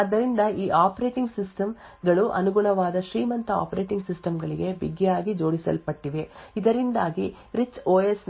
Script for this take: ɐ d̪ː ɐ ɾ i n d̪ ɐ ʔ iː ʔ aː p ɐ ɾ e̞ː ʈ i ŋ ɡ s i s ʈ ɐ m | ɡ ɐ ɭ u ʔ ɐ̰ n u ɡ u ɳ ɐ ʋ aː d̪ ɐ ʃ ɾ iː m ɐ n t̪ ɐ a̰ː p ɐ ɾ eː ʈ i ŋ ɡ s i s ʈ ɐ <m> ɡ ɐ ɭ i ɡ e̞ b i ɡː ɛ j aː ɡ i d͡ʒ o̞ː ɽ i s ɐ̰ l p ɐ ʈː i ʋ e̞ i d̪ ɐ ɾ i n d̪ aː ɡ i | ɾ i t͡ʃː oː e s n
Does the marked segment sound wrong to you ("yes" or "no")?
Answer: no